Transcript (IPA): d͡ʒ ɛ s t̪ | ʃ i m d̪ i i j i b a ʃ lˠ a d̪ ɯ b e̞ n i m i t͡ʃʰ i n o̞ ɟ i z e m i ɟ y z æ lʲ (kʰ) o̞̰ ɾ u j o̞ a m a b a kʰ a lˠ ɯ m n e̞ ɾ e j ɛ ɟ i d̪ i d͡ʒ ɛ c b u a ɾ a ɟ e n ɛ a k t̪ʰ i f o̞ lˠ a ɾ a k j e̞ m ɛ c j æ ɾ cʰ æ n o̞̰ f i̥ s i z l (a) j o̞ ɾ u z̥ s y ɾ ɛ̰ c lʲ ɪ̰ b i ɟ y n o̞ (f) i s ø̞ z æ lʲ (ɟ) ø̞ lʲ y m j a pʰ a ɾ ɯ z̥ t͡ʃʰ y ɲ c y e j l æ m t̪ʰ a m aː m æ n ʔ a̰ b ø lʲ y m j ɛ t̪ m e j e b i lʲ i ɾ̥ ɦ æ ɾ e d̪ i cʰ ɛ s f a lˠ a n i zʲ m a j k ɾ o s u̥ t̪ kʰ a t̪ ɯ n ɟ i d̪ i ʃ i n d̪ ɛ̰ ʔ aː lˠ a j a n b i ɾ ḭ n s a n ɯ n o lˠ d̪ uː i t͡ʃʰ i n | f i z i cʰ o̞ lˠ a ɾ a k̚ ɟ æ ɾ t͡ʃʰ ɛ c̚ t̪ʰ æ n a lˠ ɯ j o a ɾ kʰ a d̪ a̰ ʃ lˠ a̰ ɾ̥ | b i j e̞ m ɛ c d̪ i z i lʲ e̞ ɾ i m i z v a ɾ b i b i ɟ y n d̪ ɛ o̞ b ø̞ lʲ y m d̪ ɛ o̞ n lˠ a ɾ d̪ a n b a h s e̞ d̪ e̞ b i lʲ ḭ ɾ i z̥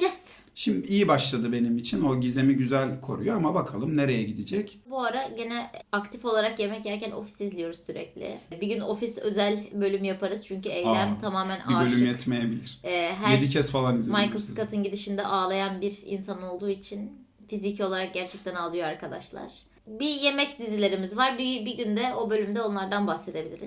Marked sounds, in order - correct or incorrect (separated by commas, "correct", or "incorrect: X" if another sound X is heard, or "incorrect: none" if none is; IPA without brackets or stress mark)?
correct, incorrect: i, correct, incorrect: b